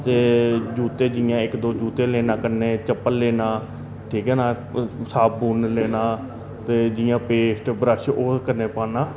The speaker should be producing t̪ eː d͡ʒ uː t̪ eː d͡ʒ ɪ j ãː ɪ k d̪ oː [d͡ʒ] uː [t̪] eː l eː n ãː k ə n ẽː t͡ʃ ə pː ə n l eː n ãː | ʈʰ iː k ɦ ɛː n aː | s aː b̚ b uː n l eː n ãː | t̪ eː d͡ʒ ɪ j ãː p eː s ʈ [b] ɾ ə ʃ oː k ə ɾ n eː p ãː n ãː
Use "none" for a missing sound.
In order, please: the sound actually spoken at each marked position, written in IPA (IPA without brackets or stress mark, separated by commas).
d͡ʒ, t̪, b